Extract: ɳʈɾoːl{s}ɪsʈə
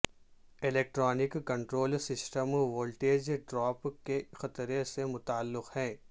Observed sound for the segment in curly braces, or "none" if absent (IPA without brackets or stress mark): s